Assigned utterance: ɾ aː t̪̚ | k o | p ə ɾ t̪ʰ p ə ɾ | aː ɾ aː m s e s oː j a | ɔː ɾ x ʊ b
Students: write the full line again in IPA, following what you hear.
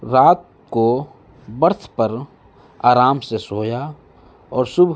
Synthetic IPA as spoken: ɾ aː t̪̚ | k o | b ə ɾ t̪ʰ p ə ɾ | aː ɾ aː m s e s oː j a | ɔː ɾ s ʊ b